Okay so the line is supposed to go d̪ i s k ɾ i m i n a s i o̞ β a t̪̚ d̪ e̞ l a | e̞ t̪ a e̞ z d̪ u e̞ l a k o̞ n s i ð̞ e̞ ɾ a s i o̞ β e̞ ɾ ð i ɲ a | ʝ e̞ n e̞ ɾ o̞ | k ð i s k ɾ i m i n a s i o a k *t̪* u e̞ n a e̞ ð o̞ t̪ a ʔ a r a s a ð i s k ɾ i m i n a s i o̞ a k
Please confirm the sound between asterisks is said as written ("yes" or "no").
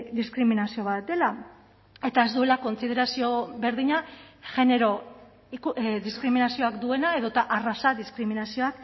no